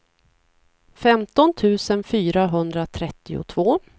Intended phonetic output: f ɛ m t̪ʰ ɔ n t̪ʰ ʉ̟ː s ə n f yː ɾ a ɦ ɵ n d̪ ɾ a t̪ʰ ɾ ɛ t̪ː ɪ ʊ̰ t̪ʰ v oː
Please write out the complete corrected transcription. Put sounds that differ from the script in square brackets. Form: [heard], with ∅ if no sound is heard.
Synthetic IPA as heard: f ɛ m [t̪] ɔ n t̪ʰ ʉ̟ː s ə n f yː ɾ a ɦ ɵ n d̪ ɾ a t̪ʰ ɾ ɛ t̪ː ɪ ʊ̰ t̪ʰ v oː